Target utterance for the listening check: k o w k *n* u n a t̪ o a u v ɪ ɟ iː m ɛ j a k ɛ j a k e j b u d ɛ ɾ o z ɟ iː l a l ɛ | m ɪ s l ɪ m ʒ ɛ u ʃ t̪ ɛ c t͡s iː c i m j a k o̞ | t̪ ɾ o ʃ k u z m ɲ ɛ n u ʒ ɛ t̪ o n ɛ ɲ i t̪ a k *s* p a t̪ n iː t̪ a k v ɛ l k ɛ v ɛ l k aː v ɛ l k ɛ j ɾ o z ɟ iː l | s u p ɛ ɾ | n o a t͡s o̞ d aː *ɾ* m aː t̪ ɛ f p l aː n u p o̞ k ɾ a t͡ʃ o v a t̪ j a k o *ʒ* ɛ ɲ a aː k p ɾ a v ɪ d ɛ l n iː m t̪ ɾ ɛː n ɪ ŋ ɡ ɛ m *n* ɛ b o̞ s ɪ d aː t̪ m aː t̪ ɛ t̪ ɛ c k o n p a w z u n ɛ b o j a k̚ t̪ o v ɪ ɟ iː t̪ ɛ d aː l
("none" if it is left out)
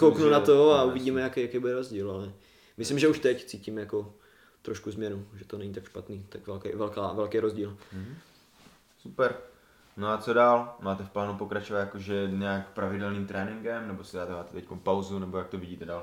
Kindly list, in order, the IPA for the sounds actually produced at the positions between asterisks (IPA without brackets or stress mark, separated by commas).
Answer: n, ʃ, l, ʒ, n